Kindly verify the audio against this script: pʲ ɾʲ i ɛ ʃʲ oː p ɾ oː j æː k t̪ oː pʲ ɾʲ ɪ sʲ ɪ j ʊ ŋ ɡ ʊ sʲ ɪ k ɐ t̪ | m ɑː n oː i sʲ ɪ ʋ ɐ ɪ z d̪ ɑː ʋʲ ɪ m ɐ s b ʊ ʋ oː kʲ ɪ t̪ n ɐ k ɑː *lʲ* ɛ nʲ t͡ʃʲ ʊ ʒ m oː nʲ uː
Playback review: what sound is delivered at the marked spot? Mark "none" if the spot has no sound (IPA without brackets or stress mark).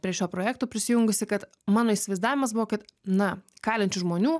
lʲ